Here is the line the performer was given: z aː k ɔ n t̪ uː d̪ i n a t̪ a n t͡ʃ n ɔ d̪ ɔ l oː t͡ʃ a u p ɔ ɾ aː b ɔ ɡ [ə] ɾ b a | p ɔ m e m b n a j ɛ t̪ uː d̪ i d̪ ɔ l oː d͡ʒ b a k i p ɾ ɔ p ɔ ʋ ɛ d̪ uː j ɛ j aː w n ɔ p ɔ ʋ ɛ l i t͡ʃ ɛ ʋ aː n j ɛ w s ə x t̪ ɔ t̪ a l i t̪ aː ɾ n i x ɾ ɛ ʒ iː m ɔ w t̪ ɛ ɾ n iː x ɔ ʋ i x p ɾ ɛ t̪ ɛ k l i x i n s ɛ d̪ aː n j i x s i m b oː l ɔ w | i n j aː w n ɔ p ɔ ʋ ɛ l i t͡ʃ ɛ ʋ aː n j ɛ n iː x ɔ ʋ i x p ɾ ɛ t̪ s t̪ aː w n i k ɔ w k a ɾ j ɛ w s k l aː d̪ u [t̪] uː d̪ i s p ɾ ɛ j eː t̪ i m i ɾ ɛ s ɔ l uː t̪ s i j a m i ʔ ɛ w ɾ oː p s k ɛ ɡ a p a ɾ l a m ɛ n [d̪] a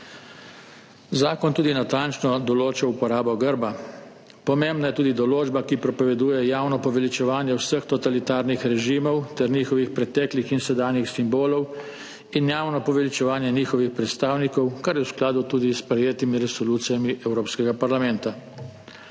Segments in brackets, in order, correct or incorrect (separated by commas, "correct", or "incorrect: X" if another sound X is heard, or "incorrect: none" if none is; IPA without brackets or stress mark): correct, correct, incorrect: t̪